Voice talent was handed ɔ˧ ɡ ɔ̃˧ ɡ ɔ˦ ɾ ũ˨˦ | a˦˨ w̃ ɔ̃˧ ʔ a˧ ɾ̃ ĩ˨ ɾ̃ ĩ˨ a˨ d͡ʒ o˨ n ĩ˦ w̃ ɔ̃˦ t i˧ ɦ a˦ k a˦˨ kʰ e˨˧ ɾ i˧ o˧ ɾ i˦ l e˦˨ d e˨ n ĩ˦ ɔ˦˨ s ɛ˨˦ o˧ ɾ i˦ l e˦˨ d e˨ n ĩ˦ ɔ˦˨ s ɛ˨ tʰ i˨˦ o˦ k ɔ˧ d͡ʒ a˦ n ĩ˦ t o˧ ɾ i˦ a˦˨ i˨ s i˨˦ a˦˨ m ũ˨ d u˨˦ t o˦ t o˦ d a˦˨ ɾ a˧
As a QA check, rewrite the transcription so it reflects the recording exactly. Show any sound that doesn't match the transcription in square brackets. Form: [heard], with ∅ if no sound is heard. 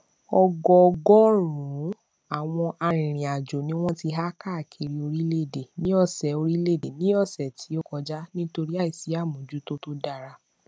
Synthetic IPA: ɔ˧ ɡ [ɔ˧] ɡ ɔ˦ ɾ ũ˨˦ | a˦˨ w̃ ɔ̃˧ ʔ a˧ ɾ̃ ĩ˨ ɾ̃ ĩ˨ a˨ d͡ʒ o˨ n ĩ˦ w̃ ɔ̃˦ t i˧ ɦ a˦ k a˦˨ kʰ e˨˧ ɾ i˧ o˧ ɾ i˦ l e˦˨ d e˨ n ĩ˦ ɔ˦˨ s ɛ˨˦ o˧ ɾ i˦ l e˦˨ d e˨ n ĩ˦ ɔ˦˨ s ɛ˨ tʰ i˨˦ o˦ k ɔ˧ d͡ʒ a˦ n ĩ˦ t o˧ ɾ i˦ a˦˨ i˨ s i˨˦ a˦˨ m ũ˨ [d͡ʒ] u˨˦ t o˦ t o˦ d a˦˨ ɾ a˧